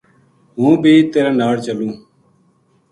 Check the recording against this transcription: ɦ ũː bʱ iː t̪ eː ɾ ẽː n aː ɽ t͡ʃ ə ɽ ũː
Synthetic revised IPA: ɦ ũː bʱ iː t̪ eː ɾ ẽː n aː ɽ t͡ʃ ə l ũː